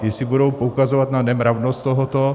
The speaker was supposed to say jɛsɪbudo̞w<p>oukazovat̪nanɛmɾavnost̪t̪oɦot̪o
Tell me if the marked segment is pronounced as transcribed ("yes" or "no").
yes